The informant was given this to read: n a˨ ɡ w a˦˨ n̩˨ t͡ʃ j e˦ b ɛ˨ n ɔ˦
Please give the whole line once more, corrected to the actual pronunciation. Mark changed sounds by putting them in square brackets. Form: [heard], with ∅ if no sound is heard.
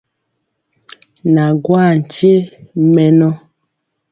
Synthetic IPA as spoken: n a˨ ɡ w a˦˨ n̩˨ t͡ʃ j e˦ [m] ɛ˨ n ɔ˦